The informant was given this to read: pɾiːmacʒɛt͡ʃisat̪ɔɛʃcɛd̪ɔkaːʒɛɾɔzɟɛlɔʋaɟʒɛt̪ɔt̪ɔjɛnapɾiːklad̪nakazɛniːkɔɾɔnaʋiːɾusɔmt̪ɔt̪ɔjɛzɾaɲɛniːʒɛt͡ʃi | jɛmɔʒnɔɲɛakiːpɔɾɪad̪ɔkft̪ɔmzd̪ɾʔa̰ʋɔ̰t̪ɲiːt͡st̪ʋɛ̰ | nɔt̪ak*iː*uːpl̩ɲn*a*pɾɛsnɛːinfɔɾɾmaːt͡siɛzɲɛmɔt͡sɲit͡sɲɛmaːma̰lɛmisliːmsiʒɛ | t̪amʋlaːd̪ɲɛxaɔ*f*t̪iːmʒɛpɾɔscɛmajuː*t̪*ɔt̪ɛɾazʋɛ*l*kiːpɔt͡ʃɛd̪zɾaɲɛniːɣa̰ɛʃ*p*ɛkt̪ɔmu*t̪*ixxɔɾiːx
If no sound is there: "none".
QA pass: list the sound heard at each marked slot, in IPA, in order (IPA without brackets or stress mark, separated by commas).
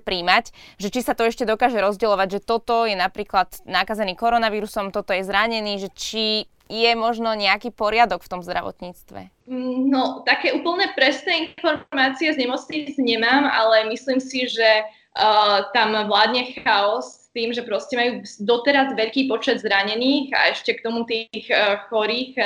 ɛː, ɛ, s, d̪, ʎ, c, t̪